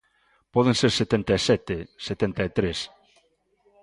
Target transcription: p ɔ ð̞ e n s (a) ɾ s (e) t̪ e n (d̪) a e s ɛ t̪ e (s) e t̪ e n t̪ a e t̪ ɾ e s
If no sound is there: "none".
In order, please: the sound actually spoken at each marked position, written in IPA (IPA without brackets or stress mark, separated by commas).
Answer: e, e, t̪, s